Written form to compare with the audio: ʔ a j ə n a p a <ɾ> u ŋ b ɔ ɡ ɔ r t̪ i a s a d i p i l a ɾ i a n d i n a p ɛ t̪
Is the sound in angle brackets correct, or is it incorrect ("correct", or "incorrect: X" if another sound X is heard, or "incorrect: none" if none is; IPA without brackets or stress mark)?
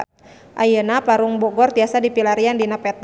correct